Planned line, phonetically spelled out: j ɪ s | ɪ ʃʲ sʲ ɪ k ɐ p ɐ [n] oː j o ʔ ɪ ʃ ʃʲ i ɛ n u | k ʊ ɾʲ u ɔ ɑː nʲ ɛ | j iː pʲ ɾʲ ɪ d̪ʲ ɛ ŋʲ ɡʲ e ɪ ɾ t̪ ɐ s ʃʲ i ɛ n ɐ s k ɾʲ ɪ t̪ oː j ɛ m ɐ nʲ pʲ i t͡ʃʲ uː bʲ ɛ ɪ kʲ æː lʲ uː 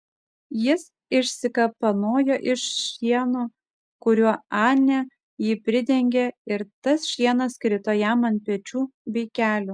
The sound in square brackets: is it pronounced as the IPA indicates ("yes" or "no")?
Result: yes